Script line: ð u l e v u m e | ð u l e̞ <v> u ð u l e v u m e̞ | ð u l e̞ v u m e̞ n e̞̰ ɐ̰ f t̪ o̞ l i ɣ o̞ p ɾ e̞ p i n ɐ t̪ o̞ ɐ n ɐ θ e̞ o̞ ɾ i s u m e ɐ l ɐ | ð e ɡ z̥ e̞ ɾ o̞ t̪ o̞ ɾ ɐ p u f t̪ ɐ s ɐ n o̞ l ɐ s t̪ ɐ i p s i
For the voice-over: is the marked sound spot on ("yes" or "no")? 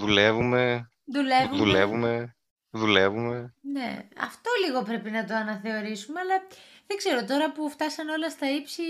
yes